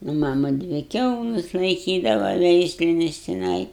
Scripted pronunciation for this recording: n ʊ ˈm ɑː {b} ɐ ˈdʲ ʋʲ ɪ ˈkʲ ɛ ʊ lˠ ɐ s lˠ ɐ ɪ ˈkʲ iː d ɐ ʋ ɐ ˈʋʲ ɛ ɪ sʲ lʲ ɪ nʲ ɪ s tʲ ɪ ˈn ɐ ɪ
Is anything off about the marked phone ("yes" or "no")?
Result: yes